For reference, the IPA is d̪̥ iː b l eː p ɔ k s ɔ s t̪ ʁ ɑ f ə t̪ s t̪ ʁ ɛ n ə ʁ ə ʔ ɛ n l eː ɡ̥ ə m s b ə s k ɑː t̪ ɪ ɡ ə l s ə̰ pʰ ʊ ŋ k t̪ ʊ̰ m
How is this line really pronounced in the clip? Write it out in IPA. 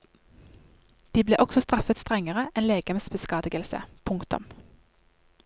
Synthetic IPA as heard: d̪̥ iː b l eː ʔ ɔ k s ɔ s t̪ ʁ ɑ f ə t̪ s t̪ ʁ ɛ ŋ ə ʁ ə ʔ ɛ n l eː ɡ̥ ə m s b ə s k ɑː d̪ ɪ ɡ ə l s ə̰ pʰ ʊ ŋ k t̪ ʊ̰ m